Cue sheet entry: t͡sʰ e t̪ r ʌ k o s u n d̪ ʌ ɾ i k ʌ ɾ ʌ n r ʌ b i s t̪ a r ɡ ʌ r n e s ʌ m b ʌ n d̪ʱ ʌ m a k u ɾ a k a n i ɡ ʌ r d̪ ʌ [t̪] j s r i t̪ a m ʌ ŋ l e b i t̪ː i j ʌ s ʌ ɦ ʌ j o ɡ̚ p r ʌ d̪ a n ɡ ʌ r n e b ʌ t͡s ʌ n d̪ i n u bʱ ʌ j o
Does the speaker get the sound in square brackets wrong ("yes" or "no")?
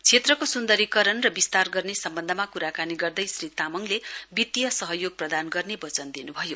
yes